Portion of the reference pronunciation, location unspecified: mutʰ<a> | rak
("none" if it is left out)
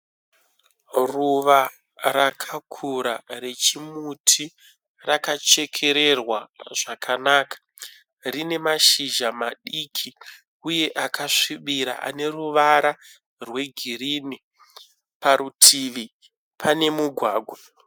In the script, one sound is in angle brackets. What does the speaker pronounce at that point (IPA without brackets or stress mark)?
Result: i